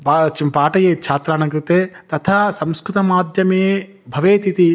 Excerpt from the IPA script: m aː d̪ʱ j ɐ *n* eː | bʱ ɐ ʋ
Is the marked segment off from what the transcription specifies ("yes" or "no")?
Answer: yes